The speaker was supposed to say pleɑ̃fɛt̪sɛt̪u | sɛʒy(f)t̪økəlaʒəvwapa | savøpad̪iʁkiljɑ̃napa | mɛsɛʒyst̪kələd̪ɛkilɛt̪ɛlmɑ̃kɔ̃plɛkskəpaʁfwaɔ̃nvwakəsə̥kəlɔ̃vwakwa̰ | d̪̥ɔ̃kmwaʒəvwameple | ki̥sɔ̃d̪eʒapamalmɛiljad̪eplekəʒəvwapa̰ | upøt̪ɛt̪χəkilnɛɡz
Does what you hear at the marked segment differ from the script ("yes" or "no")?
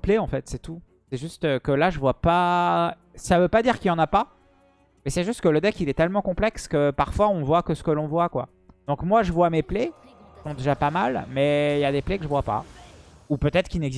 yes